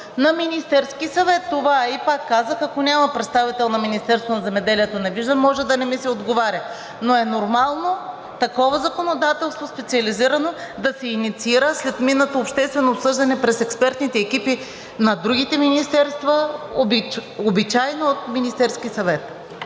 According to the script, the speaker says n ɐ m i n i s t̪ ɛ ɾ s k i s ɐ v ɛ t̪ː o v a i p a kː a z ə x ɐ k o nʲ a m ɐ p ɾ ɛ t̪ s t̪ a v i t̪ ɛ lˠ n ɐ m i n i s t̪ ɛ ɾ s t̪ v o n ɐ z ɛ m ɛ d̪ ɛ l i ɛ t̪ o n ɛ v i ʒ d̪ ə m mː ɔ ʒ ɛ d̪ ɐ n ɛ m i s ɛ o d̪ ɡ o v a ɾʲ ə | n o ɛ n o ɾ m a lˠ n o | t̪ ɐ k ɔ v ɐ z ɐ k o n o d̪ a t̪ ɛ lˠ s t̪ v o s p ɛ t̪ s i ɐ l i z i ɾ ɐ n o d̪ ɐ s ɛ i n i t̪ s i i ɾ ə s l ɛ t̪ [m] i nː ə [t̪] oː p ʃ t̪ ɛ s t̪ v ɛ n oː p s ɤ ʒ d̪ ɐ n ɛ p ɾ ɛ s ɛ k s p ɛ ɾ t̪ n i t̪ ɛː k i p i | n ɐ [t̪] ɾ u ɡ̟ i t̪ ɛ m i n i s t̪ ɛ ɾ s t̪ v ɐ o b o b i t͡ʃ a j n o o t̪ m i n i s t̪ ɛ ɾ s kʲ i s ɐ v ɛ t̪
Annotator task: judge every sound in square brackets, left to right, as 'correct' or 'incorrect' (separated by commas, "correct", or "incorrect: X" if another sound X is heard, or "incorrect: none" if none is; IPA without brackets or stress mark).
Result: correct, correct, incorrect: d̪